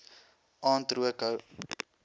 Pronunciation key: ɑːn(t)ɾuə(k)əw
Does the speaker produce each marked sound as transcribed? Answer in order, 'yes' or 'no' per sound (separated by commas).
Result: yes, yes